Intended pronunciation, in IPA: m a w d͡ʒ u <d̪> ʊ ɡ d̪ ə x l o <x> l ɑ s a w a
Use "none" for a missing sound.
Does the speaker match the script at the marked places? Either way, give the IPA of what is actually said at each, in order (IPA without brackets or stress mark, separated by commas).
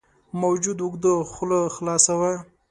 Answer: d̪, x